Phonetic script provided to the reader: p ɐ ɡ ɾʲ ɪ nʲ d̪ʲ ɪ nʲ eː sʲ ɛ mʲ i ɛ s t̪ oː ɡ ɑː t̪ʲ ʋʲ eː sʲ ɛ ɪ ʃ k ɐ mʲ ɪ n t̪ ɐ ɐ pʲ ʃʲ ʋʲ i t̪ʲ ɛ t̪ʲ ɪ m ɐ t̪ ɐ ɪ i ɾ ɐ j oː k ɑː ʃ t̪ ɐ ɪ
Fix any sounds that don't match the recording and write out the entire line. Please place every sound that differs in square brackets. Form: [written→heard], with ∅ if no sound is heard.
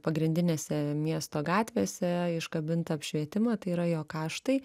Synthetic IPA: p ɐ ɡ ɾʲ ɪ nʲ d̪ʲ ɪ nʲ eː sʲ ɛ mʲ i ɛ s t̪ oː ɡ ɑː t̪ʲ ʋʲ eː sʲ ɛ ɪ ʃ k ɐ [mʲ→bʲ] ɪ n t̪ ɐ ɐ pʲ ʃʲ ʋʲ i [t̪ʲ→∅] ɛ t̪ʲ ɪ m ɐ t̪ ɐ ɪ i ɾ ɐ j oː k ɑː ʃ t̪ ɐ ɪ